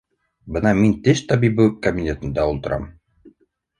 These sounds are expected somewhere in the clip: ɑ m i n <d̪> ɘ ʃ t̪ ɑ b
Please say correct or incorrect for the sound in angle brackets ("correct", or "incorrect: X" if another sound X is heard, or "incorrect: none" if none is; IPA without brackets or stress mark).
incorrect: t̪